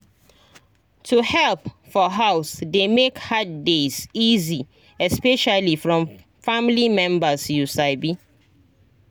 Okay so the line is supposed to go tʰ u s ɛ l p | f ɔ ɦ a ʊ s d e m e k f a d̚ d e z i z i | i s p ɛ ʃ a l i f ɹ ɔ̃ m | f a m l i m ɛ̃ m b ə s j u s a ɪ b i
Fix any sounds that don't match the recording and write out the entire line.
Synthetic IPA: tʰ u h ɛ l p | f ɔ ɦ a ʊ s d e m e k h a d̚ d e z i z i | ɛ s p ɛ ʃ a l i f ɹ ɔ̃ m | f a m l i m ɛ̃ m b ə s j u s a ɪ b i